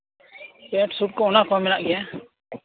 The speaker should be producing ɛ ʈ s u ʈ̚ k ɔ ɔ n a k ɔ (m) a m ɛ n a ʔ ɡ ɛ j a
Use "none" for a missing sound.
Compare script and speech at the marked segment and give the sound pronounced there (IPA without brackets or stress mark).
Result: none